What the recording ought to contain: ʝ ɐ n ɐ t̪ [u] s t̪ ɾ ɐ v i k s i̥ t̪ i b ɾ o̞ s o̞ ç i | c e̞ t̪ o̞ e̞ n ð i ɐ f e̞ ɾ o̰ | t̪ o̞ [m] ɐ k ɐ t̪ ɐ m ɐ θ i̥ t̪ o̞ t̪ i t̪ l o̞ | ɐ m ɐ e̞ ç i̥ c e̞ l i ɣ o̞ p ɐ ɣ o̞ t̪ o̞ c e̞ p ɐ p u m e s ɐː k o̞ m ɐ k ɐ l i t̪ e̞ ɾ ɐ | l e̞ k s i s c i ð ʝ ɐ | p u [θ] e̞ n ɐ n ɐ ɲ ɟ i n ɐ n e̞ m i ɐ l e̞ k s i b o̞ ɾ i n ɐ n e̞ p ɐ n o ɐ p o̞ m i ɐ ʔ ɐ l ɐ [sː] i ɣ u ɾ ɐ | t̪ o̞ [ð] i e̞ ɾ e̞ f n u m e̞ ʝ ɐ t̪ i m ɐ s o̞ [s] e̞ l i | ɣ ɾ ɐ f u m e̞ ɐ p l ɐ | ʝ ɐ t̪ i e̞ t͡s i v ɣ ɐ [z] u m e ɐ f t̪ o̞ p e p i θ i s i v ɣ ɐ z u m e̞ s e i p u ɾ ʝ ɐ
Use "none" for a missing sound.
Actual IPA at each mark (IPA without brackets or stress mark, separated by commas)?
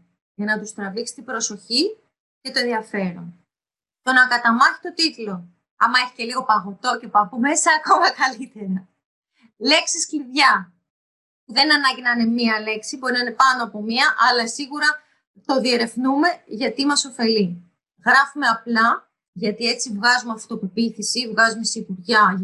u, n, ð, s, ð, f, z